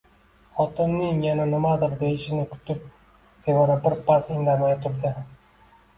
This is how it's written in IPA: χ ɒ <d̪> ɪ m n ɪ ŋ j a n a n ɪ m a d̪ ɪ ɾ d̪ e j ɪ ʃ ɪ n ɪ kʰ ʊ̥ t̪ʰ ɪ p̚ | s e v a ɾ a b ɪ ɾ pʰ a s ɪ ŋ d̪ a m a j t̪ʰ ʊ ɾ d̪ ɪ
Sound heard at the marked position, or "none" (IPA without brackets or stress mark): t̪